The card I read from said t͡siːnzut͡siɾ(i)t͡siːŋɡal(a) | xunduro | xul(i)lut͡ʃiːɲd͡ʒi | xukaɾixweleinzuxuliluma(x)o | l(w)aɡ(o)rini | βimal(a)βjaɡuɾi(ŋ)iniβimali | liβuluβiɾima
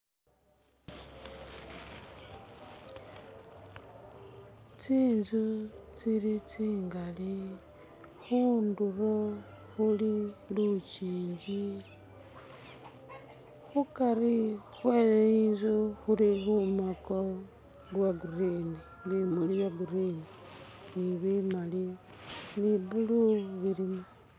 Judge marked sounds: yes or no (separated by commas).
yes, no, yes, no, yes, no, no, no